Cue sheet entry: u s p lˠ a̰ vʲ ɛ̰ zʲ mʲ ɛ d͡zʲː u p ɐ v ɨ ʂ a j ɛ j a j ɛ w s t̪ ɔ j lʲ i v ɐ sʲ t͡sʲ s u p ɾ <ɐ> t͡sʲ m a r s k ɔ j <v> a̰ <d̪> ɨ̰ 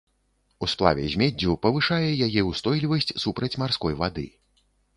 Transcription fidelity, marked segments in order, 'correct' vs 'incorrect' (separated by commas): correct, correct, correct